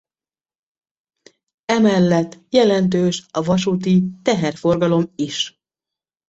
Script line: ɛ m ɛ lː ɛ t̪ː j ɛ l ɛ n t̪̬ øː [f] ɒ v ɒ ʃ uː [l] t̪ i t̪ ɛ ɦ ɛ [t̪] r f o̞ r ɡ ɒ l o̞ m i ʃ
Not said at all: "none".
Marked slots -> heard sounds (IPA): ʃ, none, none

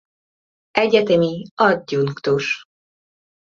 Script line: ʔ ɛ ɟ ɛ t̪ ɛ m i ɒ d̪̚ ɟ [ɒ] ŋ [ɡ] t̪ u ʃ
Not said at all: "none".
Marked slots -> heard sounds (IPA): u, k

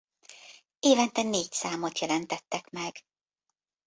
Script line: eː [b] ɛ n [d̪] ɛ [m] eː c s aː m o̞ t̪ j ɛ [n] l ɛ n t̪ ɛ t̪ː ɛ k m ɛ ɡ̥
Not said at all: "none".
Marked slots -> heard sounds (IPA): v, t̪, n, none

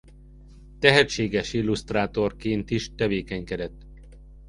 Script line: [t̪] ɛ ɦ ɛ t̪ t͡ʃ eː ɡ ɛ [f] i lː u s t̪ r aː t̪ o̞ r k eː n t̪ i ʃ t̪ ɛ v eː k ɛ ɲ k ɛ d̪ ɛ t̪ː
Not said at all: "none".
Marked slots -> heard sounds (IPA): t̪, ʃ

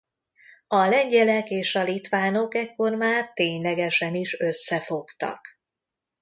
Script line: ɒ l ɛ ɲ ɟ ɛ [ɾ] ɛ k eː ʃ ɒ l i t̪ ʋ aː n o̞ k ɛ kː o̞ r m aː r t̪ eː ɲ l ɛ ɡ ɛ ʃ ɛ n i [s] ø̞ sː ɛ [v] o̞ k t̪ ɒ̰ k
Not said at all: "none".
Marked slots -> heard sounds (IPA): l, ʃ, f

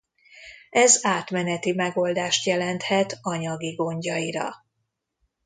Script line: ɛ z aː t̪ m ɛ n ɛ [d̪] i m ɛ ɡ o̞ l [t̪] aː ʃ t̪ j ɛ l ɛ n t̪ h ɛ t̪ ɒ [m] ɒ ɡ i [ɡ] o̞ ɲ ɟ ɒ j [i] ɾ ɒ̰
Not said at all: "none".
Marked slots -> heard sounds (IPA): t̪, d̪, ɲ, ɡ, i

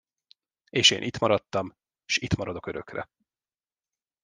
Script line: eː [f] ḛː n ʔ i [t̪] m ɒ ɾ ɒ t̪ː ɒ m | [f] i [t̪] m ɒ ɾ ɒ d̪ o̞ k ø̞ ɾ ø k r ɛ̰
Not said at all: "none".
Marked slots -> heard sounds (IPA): ʃ, t̪, ʃ, t̪

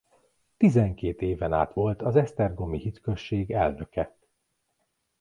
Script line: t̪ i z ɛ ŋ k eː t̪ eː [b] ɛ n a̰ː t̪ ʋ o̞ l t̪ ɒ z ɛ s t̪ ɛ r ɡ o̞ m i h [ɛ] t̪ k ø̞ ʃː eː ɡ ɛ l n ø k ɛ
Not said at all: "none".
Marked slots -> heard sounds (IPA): v, i

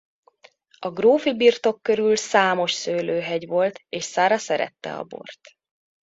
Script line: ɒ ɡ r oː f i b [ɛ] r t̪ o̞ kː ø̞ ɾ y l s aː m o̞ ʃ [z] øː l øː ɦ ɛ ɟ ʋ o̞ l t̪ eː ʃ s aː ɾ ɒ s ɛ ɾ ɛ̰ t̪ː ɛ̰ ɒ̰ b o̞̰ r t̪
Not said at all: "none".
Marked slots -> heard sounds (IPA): i, s

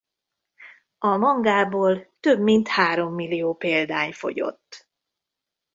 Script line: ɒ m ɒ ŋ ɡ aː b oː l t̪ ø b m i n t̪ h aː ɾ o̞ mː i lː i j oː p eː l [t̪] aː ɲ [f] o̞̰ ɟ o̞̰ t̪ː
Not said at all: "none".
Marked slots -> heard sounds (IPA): d̪, f

